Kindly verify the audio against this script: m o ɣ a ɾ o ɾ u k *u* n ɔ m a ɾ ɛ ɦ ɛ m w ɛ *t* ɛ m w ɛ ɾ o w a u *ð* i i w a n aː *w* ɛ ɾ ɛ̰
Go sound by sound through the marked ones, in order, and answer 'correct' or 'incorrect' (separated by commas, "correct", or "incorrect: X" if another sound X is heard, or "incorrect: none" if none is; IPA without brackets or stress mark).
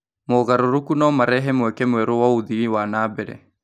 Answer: correct, incorrect: k, correct, incorrect: b